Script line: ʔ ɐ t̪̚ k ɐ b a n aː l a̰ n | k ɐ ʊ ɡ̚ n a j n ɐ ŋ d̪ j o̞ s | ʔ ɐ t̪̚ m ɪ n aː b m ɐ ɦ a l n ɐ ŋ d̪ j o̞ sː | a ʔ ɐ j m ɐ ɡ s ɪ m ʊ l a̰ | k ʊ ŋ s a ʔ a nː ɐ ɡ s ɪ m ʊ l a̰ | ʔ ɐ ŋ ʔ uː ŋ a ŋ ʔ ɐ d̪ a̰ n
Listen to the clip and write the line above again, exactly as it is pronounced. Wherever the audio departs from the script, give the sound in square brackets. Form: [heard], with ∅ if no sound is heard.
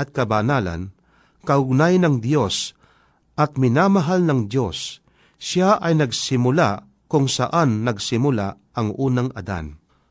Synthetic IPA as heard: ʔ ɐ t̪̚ k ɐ b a n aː l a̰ n | k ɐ ʊ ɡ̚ n a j n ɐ ŋ d̪ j o̞ s | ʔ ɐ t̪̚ m ɪ n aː [∅] m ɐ ɦ a l n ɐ ŋ d̪ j o̞ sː | a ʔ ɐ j [n] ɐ ɡ s ɪ m ʊ l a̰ | k ʊ ŋ s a ʔ a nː ɐ ɡ s ɪ m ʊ l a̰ | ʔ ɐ ŋ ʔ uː [n] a ŋ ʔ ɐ d̪ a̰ n